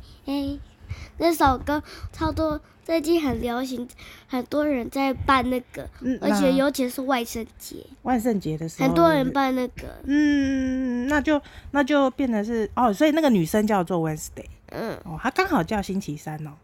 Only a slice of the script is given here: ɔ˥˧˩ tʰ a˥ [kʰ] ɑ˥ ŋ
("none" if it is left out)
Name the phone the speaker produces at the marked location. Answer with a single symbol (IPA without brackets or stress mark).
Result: k